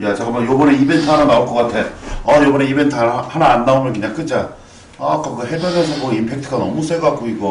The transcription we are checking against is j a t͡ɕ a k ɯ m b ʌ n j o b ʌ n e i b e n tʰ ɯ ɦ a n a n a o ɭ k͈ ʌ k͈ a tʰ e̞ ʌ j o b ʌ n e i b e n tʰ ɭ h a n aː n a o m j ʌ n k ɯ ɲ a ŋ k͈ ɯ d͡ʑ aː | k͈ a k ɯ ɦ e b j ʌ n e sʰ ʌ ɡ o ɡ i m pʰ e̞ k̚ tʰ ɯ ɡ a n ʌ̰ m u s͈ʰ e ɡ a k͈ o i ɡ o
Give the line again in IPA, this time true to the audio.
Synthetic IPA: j a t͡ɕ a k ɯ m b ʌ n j o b ʌ n e i b e n tʰ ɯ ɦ a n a n a o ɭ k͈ ʌ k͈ a tʰ e̞ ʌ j o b ʌ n e i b e n tʰ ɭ h a n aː nː a o m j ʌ n k ɯ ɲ a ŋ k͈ ɯ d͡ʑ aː | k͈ a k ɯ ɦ e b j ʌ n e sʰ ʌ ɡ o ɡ i m pʰ e̞ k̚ tʰ ɯ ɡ a n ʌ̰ m u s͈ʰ e ɡ a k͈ o i ɡ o

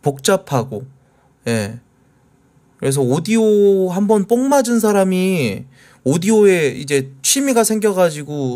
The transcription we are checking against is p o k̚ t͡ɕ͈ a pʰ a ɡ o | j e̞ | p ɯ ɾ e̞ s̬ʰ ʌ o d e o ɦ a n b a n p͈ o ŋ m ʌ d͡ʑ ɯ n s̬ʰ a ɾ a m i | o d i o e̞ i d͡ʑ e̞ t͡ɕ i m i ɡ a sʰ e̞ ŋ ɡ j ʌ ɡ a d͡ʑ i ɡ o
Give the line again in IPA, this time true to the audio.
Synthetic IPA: p o k̚ t͡ɕ͈ a pʰ a ɡ o | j e̞ | k ɯ ɾ e̞ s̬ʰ ʌ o d i o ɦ a m b ʌ n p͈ o ŋ m a d͡ʑ ɯ n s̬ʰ a ɾ a m i | o d i o e̞ i d͡ʑ e̞ t͡ɕʰ i m i ɡ a sʰ e̞ ŋ ɡ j ʌ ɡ a d͡ʑ i ɡ o

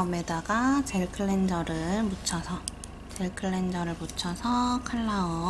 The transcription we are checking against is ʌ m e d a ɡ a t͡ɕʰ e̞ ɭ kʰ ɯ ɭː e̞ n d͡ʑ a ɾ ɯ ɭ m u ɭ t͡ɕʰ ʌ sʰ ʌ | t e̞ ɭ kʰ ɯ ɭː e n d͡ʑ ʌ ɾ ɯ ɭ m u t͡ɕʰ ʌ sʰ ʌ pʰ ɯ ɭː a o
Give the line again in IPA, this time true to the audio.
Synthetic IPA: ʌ m e d a ɡ a t͡ɕ e̞ ɭ kʰ ɯ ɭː e̞ n d͡ʑ ʌ ɾ ɯ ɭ m u t͡ɕʰ ʌ sʰ ʌ | t͡ɕ e̞ ɭ kʰ ɯ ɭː e n d͡ʑ ʌ ɾ ɯ ɭ m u t͡ɕʰ ʌ sʰ ʌ kʰ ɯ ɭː a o

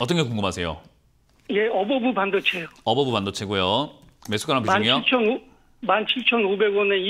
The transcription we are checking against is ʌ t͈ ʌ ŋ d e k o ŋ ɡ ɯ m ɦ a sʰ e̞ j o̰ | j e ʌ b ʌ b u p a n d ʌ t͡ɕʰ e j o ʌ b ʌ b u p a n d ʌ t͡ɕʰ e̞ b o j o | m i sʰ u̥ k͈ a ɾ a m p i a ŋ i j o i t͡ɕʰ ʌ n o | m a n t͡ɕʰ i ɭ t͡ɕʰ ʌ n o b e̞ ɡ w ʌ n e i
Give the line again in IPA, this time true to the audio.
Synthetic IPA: ʌ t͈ ʌ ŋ ɡ e k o ŋ ɡ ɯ m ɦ a sʰ e̞ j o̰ | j e ʌ b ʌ b u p a n d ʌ t͡ɕʰ e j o ʌ b ʌ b u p a n d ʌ t͡ɕʰ e̞ ɡ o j o | m e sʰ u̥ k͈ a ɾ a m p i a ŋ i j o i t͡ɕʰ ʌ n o | m a n t͡ɕʰ i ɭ t͡ɕʰ ʌ n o b e̞ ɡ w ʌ n e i

